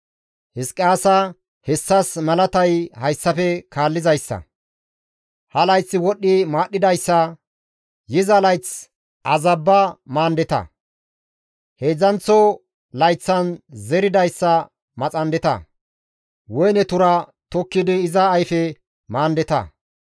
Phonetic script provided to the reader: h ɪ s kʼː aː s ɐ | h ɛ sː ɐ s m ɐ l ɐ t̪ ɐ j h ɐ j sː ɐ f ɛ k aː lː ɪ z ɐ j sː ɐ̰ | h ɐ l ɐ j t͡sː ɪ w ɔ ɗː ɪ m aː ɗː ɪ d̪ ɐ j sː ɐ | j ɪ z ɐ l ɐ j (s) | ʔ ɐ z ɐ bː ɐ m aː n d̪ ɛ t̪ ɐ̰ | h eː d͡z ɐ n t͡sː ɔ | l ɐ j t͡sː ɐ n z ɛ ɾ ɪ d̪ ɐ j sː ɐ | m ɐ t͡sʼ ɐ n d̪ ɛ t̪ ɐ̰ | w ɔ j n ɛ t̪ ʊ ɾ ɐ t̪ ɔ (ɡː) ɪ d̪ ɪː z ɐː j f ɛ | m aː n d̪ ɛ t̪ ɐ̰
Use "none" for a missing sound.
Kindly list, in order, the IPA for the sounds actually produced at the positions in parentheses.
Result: t͡s, kː

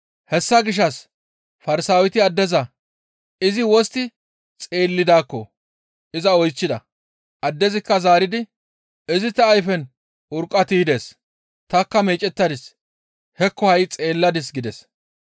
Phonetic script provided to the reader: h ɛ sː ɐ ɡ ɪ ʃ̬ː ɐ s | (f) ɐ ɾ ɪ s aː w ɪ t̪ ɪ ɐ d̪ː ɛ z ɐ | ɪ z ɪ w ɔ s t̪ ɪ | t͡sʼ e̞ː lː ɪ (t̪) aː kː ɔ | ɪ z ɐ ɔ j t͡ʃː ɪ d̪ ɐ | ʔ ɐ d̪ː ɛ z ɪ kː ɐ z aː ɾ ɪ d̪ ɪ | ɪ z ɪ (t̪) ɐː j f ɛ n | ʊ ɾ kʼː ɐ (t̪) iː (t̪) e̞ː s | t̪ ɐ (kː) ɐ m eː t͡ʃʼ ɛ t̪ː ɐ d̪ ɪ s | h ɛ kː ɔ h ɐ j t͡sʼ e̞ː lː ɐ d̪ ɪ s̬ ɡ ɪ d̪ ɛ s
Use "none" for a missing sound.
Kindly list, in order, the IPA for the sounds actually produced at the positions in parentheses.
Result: f, d̪, t̪, t̪, d̪, kː

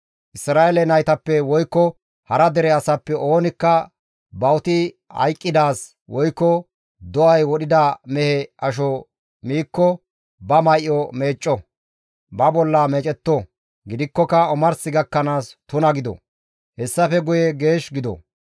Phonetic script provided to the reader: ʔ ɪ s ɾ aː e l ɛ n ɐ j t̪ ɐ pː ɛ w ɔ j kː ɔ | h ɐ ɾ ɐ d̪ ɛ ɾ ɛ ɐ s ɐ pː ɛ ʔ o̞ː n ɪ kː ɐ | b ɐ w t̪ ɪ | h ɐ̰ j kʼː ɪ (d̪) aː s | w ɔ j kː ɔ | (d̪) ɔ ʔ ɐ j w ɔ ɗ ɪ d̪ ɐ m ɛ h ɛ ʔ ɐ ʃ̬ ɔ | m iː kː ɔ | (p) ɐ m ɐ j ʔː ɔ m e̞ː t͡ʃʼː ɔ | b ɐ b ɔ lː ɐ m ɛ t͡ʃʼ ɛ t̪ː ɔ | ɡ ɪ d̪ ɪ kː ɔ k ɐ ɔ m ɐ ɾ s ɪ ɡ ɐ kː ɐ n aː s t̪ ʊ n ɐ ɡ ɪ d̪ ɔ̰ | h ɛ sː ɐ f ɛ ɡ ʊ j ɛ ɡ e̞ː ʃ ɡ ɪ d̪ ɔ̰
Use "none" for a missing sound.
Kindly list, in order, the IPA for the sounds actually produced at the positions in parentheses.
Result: d̪, d̪, b

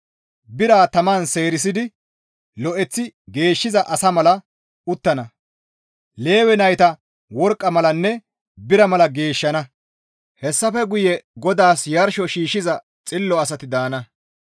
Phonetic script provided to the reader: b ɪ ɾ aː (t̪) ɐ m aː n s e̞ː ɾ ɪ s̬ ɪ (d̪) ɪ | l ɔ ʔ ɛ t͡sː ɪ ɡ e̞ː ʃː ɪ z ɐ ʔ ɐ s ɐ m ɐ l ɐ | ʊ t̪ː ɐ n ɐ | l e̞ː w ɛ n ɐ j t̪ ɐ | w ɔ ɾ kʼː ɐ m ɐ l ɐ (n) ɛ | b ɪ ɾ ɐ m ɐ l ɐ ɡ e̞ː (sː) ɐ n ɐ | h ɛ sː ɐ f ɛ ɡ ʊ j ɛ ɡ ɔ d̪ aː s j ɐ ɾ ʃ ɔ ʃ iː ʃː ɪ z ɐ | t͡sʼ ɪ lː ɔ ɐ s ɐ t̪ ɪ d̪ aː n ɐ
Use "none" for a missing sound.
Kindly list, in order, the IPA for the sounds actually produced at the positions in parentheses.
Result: t̪, d̪, nː, ʃː

